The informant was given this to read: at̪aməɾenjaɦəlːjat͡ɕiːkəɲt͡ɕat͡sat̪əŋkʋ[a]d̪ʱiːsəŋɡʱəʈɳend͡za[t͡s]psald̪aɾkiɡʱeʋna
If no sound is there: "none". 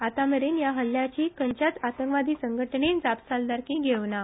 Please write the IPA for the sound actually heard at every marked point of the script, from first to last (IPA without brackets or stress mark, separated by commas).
a, none